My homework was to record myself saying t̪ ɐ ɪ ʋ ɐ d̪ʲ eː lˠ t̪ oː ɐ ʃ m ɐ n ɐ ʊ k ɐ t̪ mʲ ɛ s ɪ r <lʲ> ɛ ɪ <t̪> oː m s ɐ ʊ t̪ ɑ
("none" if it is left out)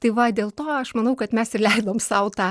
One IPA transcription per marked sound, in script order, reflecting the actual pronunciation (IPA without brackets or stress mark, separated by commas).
lʲ, d̪